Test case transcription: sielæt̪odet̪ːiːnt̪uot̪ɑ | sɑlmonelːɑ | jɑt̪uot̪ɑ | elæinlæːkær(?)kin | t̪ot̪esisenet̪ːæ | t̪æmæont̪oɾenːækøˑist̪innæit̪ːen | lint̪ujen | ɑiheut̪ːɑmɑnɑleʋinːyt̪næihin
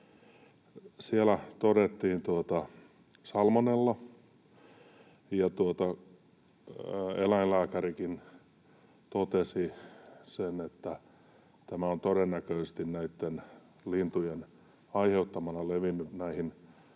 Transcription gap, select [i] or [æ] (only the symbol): i